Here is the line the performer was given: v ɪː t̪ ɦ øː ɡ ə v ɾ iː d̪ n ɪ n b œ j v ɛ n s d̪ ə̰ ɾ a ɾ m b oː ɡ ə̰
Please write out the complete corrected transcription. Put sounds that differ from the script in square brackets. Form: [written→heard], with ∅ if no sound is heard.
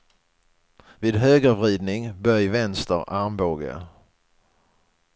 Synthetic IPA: v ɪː [t̪→d̪] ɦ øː ɡ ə v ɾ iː d̪ n ɪ [n→ŋ] b œ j v ɛ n s [d̪→t̪] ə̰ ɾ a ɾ m b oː ɡ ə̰